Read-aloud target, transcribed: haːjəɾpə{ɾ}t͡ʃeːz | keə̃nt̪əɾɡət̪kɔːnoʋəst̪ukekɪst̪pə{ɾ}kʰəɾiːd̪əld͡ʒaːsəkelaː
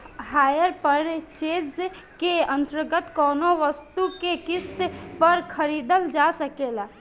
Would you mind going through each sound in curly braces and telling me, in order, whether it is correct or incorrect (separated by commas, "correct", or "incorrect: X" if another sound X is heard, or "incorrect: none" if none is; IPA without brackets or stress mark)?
correct, correct